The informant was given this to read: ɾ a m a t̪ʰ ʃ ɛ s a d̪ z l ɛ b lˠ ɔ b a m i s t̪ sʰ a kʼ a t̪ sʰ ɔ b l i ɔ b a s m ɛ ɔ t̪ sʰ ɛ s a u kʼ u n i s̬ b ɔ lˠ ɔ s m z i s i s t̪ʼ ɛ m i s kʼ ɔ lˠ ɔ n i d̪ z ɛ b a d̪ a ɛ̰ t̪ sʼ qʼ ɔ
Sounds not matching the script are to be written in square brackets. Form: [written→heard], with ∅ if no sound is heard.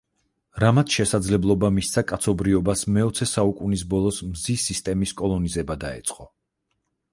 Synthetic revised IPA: ɾ a m a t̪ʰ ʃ ɛ s a d̪ z l ɛ b lˠ ɔ b a m i s t̪ sʰ a kʼ a t̪ sʰ ɔ b [l→ɾ] i ɔ b a s m ɛ ɔ t̪ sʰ ɛ s a u kʼ u n i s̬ b ɔ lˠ ɔ s m z i s i s t̪ʼ ɛ m i s kʼ ɔ lˠ ɔ n i [d̪→∅] z ɛ b a d̪ a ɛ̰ t̪ sʼ qʼ ɔ

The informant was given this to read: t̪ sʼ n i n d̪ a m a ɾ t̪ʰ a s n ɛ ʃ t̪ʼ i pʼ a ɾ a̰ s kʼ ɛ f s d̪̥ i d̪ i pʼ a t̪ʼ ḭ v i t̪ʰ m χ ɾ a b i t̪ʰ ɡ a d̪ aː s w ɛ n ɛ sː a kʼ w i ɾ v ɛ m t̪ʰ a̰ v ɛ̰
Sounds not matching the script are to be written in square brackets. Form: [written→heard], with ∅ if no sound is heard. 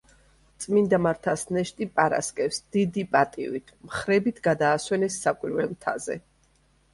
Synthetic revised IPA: t̪ sʼ [n→m] i n d̪ a m a ɾ t̪ʰ a s n ɛ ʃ t̪ʼ i pʼ a ɾ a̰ s kʼ ɛ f s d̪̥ i d̪ i pʼ a t̪ʼ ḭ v i t̪ʰ m χ ɾ [a→ɛ] b i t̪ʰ ɡ a d̪ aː s w ɛ n ɛ sː a kʼ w i ɾ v ɛ m t̪ʰ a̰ [v→z] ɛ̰

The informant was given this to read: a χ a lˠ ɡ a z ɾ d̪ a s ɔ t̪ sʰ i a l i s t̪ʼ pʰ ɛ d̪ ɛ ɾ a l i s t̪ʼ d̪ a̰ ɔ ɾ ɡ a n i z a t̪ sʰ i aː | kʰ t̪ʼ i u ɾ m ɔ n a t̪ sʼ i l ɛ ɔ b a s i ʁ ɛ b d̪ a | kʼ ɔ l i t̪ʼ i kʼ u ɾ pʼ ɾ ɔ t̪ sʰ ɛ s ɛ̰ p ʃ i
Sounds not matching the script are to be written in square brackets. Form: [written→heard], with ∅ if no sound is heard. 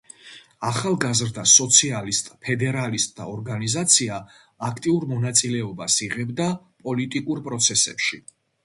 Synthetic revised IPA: a χ a lˠ ɡ a z ɾ d̪ a s ɔ t̪ sʰ i a l i s t̪ʼ pʰ ɛ d̪ ɛ ɾ a l i s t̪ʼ d̪ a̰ ɔ ɾ ɡ a n i z a t̪ sʰ i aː | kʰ t̪ʼ i u ɾ m ɔ n a t̪ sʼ i l ɛ ɔ b a s i ʁ ɛ b d̪ a | [kʼ→pʼ] ɔ l i t̪ʼ i kʼ u ɾ pʼ ɾ ɔ t̪ sʰ ɛ s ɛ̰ p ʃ i

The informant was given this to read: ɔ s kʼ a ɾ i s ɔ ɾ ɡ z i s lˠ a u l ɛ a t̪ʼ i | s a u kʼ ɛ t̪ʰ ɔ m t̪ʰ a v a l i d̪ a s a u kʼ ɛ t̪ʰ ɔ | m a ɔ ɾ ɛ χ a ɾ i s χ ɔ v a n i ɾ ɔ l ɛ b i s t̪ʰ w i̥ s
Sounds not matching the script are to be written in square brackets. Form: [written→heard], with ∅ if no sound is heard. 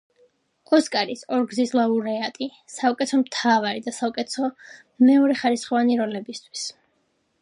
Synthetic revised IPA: ɔ s kʼ a ɾ i s ɔ ɾ ɡ z i s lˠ a u [l→ɾ] ɛ a t̪ʼ i | s a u kʼ ɛ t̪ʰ ɔ m t̪ʰ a v a [l→ɾ] i d̪ a s a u kʼ ɛ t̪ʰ ɔ | m [a→ɛ] ɔ ɾ ɛ χ a ɾ i s χ ɔ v a n i ɾ ɔ l ɛ b i s t̪ʰ w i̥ s

